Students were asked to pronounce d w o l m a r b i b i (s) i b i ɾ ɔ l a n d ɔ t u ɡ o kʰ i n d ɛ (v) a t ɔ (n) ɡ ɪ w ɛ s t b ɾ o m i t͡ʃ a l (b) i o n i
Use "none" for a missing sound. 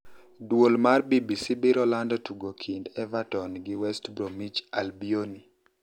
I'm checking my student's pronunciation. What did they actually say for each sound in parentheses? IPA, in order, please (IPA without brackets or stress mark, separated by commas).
s, v, n, b